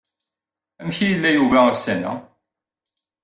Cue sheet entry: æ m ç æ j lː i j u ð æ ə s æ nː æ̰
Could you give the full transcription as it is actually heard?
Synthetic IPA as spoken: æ m ç i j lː æ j u v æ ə s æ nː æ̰